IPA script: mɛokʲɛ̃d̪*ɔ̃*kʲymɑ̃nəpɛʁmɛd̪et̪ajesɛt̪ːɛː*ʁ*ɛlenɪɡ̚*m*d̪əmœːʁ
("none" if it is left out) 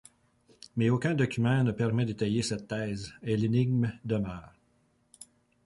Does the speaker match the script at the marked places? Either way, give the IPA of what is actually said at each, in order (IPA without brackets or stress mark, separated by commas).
ɔ, z, m